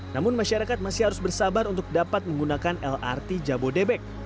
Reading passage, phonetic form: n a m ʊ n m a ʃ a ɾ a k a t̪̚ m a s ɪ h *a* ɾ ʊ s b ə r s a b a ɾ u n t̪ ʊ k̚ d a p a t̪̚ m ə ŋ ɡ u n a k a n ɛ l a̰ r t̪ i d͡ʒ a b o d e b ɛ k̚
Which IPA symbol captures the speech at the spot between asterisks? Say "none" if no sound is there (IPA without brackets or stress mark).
a